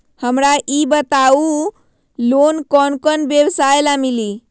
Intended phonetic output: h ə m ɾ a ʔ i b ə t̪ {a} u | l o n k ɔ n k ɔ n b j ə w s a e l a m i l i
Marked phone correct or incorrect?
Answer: correct